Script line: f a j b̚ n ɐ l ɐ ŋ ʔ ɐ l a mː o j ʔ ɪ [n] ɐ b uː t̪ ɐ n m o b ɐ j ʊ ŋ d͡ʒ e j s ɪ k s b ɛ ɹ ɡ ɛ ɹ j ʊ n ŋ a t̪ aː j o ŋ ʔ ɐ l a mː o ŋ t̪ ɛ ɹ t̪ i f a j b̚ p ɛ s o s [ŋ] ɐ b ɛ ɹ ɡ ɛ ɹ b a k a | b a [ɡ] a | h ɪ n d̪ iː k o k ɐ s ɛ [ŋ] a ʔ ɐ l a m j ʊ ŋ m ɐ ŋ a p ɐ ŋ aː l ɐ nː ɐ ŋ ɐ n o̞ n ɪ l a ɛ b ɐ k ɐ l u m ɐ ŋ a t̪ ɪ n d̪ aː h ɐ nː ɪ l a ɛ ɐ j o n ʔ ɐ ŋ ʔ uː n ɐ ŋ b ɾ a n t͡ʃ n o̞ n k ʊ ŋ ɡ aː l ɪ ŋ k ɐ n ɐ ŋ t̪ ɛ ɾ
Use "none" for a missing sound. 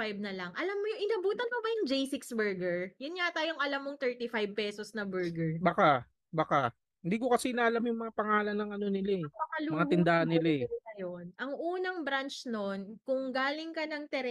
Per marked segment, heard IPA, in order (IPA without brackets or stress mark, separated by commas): n, n, k, n